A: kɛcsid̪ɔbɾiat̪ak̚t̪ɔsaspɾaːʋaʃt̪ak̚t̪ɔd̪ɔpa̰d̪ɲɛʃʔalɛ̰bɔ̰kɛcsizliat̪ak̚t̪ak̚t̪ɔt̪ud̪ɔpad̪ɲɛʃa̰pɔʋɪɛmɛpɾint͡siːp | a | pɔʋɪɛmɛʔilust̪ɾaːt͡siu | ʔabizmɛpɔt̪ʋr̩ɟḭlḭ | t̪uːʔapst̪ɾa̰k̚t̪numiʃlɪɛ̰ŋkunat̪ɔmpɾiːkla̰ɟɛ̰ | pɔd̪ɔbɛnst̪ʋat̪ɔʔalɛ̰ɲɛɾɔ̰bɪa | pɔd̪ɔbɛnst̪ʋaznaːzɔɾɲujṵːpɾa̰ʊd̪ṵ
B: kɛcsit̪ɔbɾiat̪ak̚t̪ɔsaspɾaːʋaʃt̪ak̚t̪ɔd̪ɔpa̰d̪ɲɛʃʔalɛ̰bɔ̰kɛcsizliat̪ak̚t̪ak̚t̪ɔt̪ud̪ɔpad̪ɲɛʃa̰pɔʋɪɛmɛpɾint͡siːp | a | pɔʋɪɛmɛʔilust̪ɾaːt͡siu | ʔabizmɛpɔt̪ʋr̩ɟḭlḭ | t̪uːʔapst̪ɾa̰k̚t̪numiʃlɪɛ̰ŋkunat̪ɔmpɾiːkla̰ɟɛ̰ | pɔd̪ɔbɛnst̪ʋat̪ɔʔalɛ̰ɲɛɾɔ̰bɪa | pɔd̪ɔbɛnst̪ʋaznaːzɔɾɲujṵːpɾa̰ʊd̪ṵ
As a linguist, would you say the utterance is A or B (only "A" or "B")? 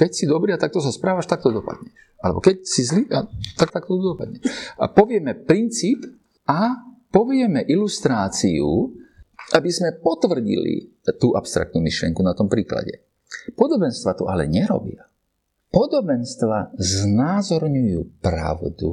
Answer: A